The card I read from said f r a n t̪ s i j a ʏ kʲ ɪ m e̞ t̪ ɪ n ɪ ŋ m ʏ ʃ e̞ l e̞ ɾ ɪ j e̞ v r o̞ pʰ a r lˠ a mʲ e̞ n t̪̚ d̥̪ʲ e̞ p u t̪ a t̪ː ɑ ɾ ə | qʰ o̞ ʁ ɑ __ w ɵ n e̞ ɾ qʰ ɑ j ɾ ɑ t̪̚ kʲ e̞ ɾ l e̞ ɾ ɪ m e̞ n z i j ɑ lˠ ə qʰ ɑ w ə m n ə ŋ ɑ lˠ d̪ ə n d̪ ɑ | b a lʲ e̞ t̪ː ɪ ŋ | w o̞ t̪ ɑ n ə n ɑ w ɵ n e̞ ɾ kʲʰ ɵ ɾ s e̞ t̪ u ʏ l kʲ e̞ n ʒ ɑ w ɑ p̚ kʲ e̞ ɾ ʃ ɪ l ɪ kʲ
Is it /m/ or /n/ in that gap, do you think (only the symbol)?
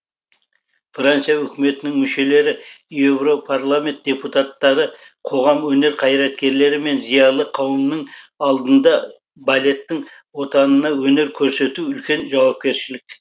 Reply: m